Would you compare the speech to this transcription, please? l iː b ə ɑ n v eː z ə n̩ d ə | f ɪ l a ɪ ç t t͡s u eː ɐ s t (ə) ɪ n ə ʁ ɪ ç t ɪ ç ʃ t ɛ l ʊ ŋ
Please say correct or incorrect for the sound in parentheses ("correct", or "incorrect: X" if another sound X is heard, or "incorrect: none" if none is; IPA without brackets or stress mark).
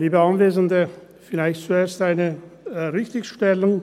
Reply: incorrect: a